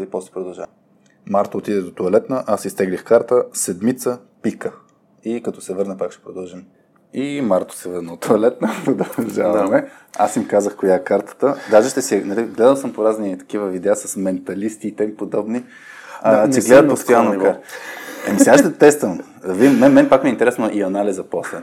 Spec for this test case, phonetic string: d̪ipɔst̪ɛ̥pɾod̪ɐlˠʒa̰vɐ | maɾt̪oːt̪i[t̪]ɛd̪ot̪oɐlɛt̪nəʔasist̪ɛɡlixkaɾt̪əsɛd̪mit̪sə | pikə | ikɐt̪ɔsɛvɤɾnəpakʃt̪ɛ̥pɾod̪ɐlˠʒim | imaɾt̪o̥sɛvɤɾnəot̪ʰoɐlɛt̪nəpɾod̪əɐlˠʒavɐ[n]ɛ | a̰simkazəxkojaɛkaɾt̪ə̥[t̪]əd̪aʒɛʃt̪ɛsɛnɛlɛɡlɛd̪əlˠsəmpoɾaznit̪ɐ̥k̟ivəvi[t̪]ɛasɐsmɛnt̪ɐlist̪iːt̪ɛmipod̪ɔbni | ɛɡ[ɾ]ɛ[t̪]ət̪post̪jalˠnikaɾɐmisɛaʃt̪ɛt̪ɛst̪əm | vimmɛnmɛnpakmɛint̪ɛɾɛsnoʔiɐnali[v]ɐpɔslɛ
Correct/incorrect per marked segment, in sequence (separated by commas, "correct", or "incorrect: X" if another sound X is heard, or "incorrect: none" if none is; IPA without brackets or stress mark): incorrect: d̪, incorrect: m, correct, incorrect: d̪, incorrect: l, incorrect: d̪, incorrect: z